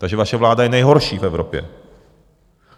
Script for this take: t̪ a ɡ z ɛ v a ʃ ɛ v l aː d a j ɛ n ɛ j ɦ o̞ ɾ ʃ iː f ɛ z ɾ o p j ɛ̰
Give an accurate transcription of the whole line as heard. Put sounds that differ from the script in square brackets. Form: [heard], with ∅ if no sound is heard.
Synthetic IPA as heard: t̪ a ɡ [ʒ] ɛ v a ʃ ɛ v l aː d a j ɛ n ɛ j ɦ o̞ ɾ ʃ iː f ɛ [v] ɾ o p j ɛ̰